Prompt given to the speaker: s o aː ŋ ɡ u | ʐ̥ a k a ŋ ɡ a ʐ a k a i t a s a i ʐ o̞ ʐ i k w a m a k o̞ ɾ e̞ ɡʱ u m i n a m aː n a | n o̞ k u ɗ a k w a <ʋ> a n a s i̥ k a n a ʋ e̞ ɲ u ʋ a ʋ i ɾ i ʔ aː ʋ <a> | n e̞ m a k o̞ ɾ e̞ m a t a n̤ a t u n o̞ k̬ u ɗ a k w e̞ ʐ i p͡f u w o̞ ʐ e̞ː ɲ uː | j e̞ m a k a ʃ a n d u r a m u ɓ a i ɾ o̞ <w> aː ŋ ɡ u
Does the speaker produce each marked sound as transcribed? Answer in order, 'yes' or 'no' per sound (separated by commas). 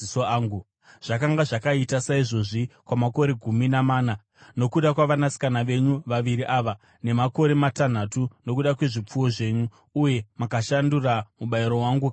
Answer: yes, yes, yes